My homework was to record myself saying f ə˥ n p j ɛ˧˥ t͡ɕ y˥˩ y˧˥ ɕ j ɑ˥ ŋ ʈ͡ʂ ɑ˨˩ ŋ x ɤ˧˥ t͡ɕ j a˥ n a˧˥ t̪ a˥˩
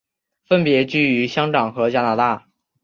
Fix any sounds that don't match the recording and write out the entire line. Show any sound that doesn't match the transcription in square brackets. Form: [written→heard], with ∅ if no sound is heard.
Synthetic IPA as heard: f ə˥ n p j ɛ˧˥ t͡ɕ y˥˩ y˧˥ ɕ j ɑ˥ ŋ ʈ͡ʂ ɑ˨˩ ŋ x ɤ˧˥ t͡ɕ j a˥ n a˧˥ t̪ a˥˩